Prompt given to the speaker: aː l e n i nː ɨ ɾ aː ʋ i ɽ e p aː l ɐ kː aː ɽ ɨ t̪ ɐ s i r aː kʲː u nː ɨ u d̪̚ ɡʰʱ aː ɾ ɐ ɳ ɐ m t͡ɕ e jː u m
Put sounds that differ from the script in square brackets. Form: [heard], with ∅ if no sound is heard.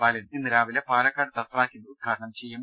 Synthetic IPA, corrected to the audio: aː l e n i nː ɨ ɾ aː ʋ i [l] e p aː l ɐ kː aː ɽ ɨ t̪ ɐ s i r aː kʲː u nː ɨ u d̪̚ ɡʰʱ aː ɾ ɐ ɳ ɐ m t͡ɕ e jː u m